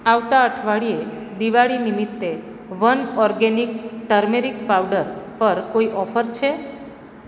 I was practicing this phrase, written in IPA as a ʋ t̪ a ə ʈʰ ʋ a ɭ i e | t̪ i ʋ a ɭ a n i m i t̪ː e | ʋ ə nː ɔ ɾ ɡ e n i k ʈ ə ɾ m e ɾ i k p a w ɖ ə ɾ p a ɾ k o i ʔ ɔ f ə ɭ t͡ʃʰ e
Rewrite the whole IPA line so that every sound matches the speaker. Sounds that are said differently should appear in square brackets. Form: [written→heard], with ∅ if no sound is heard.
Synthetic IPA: a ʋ t̪ a ə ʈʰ ʋ a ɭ i e | [t̪→d̪] i ʋ a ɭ [a→i] n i m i t̪ː e | ʋ ə [nː→n] ɔ ɾ ɡ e n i k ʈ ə ɾ m e ɾ i k p a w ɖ ə ɾ p [a→ə] ɾ k o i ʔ ɔ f ə [ɭ→ɾ] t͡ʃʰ e